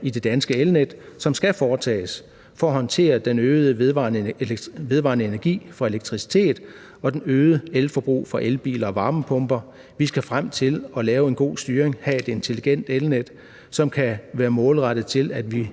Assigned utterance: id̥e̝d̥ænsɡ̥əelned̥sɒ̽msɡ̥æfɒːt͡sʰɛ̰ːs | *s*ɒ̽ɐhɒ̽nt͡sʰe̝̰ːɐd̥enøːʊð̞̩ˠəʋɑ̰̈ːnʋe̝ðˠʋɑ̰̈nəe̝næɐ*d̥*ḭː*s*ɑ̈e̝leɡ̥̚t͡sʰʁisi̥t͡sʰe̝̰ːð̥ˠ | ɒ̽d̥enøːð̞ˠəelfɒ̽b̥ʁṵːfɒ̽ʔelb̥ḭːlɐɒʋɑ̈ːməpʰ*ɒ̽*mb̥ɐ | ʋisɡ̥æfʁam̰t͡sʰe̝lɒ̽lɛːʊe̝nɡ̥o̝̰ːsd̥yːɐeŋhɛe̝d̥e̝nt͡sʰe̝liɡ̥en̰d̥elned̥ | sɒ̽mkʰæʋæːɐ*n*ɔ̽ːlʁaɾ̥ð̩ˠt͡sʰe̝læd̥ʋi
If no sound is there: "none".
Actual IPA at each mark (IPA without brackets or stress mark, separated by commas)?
f, ɡ̥, f, ɔ̽, m